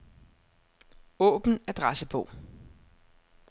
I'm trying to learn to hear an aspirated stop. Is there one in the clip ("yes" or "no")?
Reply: yes